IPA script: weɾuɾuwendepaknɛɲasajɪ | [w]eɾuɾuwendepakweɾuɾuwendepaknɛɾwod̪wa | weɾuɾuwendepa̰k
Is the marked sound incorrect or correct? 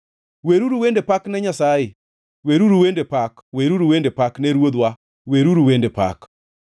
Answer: correct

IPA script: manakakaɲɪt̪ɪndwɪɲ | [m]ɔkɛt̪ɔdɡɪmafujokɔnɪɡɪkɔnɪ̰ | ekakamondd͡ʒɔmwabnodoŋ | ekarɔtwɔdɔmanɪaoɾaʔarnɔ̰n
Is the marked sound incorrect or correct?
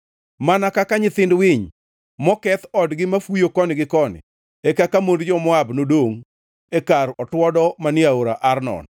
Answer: correct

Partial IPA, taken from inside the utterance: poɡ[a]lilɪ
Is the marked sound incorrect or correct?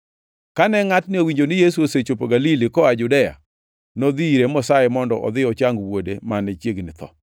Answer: correct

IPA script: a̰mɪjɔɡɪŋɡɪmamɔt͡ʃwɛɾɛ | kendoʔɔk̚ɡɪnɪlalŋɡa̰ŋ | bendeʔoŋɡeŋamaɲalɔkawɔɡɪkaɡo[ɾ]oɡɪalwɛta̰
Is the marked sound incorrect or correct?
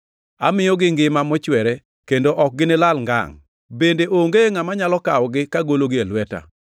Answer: incorrect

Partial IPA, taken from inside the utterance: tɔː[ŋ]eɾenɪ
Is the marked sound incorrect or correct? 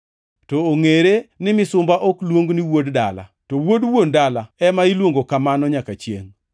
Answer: correct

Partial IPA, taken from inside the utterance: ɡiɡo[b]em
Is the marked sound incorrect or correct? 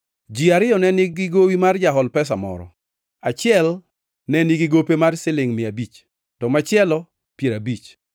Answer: incorrect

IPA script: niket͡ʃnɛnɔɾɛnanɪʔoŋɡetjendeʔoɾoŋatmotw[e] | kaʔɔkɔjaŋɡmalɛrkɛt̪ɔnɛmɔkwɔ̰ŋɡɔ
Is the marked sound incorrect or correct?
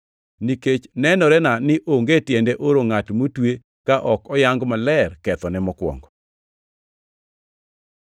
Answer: correct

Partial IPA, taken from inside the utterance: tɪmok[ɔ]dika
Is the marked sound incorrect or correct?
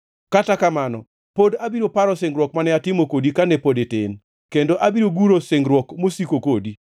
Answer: incorrect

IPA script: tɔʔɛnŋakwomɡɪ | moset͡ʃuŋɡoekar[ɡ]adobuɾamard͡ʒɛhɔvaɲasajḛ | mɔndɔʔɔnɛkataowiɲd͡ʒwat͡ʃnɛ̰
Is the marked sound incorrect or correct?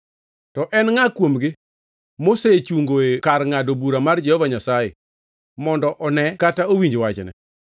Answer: incorrect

